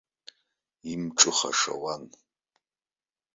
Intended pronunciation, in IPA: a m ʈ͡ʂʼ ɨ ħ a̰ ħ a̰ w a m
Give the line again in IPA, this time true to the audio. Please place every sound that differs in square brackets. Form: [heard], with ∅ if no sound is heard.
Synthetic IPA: [i] m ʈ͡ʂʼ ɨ [χ] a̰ [ʂ] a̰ w a [n]